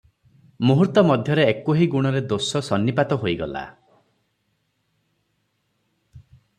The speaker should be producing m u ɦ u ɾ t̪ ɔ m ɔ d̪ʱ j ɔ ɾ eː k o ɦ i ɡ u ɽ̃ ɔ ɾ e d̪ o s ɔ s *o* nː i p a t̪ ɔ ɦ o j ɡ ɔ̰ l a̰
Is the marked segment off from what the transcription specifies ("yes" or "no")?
yes